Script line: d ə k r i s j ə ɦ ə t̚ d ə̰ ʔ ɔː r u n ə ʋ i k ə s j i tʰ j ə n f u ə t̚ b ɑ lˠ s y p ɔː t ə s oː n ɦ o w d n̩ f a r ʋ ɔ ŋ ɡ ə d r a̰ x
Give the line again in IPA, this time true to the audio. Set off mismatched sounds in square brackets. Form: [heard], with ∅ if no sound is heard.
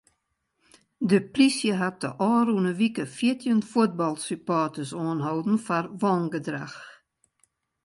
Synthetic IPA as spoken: d ə [p] r i s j ə ɦ [a] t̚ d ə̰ ʔ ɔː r u n ə ʋ i k ə [f] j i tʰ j ə n f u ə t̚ b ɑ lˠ s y p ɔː t ə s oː n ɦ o w d n̩ f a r ʋ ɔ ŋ ɡ ə d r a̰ x